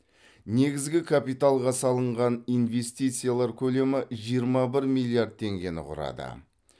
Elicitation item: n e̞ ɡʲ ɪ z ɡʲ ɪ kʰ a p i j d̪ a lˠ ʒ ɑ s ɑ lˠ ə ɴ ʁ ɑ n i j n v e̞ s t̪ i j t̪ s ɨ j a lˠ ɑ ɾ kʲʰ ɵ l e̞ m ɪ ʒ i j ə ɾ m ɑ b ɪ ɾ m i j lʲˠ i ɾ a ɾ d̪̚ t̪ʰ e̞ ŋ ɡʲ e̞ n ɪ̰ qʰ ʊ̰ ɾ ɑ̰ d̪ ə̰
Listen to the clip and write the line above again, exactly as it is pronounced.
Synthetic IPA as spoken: n e̞ ɡʲ ɪ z ɡʲ ɪ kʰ a p i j t̪ a lˠ ʁ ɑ s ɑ lˠ ə ɴ ʁ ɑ n i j n v e̞ s t̪ i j t̪ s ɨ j a lˠ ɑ ɾ kʲʰ ɵ l e̞ m ɪ ʒ i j ə ɾ m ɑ b ɪ ɾ m i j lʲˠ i a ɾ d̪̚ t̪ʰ e̞ ŋ ɡʲ e̞ n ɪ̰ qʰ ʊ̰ ɾ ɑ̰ d̪ ə̰